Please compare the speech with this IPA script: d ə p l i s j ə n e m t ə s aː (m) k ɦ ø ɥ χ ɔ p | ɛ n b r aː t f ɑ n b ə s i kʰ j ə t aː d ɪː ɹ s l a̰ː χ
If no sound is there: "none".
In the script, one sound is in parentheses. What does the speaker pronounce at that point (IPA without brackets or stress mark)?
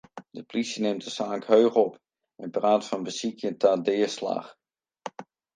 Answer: ŋ